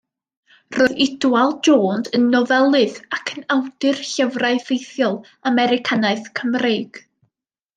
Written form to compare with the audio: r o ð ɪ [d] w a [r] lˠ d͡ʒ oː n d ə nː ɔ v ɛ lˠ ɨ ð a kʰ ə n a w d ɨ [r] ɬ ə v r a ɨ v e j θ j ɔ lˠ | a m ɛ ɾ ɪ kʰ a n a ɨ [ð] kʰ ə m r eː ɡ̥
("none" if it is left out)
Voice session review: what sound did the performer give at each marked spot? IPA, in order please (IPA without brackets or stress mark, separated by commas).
d, none, r, θ